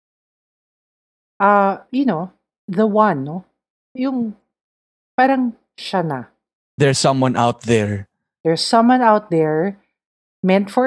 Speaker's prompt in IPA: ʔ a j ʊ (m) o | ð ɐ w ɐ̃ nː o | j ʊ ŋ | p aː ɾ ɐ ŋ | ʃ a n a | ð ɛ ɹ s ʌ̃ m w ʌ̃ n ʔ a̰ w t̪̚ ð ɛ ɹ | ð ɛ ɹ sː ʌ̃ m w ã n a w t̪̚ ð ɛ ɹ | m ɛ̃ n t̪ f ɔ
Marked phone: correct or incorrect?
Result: incorrect